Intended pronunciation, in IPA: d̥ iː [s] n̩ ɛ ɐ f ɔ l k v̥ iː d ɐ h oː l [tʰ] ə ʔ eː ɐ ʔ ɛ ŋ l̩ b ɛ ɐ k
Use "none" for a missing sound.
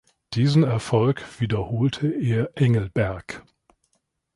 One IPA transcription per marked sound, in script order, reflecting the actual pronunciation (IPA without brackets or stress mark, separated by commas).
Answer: z, tʰ